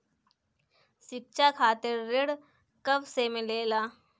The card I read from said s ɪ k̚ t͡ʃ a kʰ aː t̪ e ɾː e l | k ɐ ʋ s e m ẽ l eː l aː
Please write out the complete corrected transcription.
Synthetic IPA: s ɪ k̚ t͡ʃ a kʰ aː t̪ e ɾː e ɽ | k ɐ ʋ s e m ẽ l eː l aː

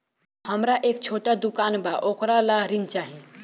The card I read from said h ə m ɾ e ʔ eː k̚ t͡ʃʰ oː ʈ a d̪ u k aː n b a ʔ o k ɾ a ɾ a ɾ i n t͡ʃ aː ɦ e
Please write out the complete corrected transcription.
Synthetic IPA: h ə m ɾ a ʔ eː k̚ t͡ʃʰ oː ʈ a d̪ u k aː n b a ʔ o k ɾ a l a ɾ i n t͡ʃ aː ɦ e

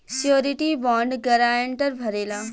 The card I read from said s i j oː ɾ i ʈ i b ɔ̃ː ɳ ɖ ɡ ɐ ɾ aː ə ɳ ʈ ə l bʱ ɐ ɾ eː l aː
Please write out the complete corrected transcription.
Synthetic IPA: s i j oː ɾ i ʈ i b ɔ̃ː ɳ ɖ ɡ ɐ ɾ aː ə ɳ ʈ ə ɾ bʱ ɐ ɾ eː l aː

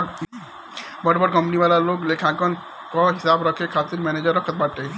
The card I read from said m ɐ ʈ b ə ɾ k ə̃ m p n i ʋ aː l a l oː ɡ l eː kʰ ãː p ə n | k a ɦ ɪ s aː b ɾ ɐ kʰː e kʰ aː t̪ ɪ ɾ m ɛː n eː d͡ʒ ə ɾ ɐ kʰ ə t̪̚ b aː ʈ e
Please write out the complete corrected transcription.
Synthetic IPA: b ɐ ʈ b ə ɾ k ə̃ m p n i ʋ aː l a l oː ɡ l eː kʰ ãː k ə n | k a ɦ ɪ s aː b ɾ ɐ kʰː e kʰ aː t̪ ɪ ɾ m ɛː n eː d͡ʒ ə ɾ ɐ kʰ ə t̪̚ b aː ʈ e

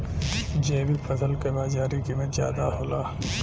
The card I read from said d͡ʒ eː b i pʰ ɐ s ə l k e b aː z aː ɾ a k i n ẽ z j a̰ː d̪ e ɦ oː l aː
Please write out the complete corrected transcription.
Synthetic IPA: d͡ʒ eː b i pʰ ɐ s ə l k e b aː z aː ɾ i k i m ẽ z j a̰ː d̪ a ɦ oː l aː

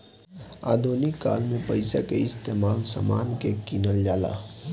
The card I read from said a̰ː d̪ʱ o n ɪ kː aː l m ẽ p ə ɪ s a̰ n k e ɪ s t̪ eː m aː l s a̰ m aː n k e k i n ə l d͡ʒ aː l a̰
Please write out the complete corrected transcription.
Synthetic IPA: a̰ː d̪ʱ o n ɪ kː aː l m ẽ p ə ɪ s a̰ k e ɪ s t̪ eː m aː l s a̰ m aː n k e k i n ə l d͡ʒ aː l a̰

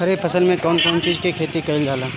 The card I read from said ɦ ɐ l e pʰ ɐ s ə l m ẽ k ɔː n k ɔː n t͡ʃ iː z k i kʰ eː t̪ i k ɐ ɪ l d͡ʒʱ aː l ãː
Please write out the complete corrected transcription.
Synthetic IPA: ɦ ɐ ɾ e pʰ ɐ s ə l m ẽ k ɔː n k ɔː n t͡ʃ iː z k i kʰ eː t̪ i k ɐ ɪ l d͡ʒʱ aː l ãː

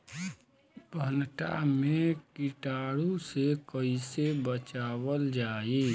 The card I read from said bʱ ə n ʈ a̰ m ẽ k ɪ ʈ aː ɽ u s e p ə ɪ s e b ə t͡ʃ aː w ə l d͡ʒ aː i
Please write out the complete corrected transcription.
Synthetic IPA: bʱ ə n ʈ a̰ m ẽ k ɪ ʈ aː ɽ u s e k ə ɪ s e b ə t͡ʃ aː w ə l d͡ʒ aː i

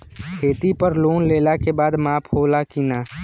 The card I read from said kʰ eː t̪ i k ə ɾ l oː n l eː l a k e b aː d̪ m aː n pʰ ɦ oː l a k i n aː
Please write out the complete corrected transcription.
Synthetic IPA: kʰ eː t̪ i p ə ɾ l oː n l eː l a k e b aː d̪ m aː pʰ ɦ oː l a k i n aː

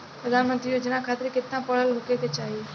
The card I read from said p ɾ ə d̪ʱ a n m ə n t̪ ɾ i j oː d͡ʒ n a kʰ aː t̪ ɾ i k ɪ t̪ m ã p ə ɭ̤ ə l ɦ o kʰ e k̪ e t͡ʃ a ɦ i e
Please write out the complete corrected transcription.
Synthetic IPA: p ɾ ə d̪ʱ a n m ə n t̪ ɾ i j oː d͡ʒ n a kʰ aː t̪ ɾ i k ɪ t̪ n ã p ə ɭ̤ ə l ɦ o k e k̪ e t͡ʃ a ɦ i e

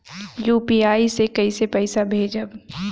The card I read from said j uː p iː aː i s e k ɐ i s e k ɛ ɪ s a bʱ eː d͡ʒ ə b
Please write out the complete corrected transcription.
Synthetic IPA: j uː p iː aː i s e k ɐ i s e p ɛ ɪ s a bʱ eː d͡ʒ ə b

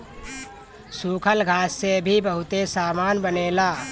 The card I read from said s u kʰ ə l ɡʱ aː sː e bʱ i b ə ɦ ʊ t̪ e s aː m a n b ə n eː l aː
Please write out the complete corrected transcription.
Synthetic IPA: s u kʰ ə l ɡʱ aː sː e bʱ i b ə ɦ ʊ t̪ e s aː m a n b ə n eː l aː

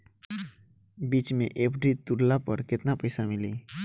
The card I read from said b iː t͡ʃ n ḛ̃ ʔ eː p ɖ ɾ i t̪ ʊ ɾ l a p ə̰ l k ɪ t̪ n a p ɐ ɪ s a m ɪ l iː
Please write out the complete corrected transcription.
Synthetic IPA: b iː t͡ʃ m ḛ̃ ʔ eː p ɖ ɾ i t̪ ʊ ɾ l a p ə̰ ɾ k ɪ t̪ n a p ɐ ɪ s a m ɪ l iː

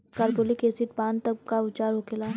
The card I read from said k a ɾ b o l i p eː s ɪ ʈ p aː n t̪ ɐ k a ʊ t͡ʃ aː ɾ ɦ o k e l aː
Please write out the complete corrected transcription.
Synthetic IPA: k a ɾ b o l i k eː s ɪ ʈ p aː n t̪ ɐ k a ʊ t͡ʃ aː ɾ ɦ o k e l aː

